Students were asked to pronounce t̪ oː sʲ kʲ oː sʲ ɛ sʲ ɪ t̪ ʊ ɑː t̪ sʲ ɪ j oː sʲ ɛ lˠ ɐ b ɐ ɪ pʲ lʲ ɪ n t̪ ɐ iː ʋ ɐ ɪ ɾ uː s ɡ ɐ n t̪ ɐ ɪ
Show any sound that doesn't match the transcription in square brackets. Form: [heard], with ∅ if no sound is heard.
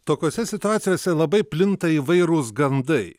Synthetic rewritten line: t̪ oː [∅] kʲ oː sʲ ɛ sʲ ɪ t̪ ʊ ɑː t̪ sʲ ɪ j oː sʲ ɛ lˠ ɐ b ɐ ɪ pʲ lʲ ɪ n t̪ ɐ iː ʋ ɐ ɪ ɾ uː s ɡ ɐ n [d̪] ɐ ɪ